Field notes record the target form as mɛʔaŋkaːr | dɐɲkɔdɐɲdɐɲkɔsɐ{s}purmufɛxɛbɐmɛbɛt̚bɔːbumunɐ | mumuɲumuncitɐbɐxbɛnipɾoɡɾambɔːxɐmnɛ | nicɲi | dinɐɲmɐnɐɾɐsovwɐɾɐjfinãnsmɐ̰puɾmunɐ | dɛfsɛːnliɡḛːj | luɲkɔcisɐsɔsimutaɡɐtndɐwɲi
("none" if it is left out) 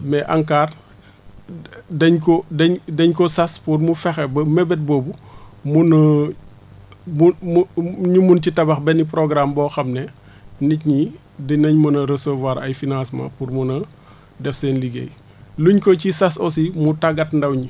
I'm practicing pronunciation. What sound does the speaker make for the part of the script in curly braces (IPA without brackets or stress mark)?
s